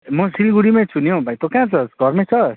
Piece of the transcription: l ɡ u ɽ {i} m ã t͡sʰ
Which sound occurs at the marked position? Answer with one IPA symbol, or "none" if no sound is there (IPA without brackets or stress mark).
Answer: i